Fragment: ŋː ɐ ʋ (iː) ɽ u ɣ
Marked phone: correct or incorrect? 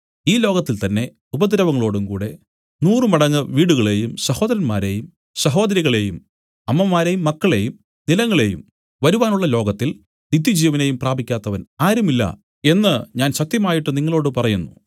correct